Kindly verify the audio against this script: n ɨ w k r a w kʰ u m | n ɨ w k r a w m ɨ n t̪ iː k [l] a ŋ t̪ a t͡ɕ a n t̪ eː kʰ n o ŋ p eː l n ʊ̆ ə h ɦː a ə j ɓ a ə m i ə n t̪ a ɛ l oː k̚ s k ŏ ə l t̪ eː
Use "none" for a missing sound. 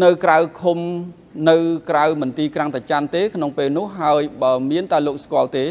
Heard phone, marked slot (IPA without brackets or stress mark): r